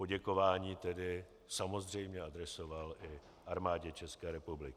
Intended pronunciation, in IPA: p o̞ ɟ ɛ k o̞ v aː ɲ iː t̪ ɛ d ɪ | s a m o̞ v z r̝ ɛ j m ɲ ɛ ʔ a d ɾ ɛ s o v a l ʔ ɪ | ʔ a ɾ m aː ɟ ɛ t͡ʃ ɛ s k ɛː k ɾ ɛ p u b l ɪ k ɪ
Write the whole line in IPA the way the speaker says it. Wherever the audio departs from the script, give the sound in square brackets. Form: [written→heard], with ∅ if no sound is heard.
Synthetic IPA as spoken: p o̞ ɟ ɛ k o̞ v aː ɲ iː t̪ ɛ d ɪ | s a m o̞ [v→∅] z r̝ ɛ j m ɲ ɛ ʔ a d ɾ ɛ s o v a l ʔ ɪ | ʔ a ɾ m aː ɟ ɛ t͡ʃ ɛ s k ɛː [k→∅] ɾ ɛ p u b l ɪ k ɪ